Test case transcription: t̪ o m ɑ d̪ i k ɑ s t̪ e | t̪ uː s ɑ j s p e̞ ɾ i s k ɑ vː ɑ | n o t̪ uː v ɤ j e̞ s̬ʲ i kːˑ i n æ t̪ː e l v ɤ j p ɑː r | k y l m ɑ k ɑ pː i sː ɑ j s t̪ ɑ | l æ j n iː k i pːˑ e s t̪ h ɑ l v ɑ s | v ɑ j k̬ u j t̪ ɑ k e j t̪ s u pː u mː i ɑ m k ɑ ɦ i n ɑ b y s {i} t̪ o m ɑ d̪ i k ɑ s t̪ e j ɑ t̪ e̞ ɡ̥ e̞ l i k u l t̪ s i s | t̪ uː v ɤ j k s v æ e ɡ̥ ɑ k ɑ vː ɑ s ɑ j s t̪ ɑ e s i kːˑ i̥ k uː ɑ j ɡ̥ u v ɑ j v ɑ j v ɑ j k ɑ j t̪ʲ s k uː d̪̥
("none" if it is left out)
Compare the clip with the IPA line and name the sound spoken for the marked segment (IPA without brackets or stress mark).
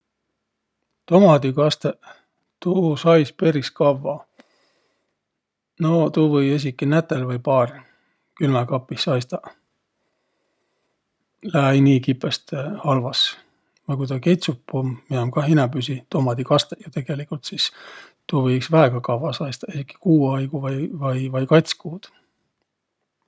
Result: i